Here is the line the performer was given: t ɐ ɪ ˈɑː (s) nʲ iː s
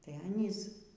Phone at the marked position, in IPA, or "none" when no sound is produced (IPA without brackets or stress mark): none